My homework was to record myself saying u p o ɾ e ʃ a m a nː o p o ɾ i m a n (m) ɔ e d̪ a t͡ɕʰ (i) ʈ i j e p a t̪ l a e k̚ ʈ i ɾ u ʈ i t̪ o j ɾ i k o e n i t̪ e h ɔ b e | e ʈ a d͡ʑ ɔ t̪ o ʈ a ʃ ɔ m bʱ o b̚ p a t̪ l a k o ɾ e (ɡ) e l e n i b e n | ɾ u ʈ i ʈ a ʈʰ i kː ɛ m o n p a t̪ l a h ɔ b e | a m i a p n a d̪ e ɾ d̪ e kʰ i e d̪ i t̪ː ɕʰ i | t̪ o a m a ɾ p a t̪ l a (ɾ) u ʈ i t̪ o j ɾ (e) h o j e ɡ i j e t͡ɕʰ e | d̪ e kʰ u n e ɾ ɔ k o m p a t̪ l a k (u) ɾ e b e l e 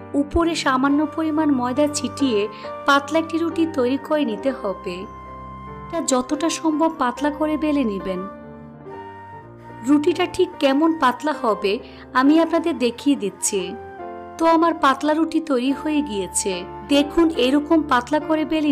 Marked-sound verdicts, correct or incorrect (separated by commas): correct, correct, incorrect, correct, incorrect, incorrect